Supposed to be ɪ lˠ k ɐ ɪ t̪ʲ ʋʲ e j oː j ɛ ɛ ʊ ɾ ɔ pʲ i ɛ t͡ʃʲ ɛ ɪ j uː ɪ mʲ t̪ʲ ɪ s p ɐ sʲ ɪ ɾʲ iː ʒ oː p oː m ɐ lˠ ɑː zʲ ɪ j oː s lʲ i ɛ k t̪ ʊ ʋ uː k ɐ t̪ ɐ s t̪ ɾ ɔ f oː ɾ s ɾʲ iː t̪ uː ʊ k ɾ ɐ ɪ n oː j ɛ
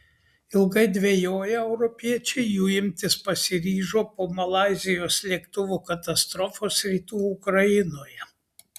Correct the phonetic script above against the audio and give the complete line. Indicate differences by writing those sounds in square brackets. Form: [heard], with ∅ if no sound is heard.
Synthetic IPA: ɪ lˠ [ɡ] ɐ ɪ [d̪ʲ] ʋʲ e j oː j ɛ ɛ ʊ ɾ ɔ pʲ i ɛ t͡ʃʲ ɛ ɪ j uː ɪ mʲ t̪ʲ ɪ s p ɐ sʲ ɪ ɾʲ iː ʒ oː p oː m ɐ lˠ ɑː zʲ ɪ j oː s lʲ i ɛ k t̪ ʊ ʋ uː k ɐ t̪ ɐ s t̪ ɾ ɔ f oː [∅] s ɾʲ iː t̪ uː ʊ k ɾ ɐ ɪ n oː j ɛ